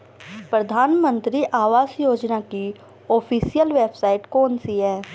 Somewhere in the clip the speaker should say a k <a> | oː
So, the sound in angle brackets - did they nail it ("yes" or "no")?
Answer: no